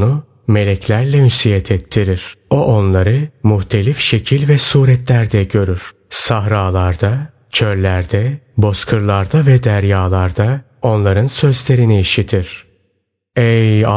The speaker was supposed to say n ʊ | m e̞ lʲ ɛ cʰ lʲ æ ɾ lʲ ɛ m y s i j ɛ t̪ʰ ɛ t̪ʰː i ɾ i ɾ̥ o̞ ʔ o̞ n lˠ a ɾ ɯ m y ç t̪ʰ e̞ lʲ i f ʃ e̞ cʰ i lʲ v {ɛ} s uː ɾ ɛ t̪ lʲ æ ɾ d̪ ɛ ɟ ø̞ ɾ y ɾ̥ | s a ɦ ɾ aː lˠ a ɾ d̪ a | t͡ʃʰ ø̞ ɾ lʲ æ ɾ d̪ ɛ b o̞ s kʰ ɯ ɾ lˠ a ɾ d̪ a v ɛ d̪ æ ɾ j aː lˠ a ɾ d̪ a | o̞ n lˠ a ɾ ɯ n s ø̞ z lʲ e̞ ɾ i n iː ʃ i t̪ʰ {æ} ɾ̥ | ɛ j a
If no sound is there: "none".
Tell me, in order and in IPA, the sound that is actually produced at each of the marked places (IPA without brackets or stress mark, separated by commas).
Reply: ɛ, i